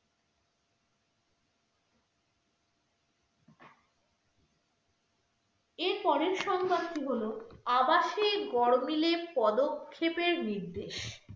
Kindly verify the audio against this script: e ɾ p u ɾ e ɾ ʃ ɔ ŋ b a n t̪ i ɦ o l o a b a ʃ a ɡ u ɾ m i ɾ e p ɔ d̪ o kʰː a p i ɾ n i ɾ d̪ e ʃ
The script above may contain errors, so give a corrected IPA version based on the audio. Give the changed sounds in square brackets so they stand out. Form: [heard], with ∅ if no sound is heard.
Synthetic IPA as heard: e ɾ p [ɔ] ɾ e ɾ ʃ ɔ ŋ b a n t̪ i ɦ o l o a b a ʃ [e] ɡ [ɔ] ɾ m i [l] e p ɔ d̪ o kʰː [e] p [e] ɾ n i ɾ d̪ e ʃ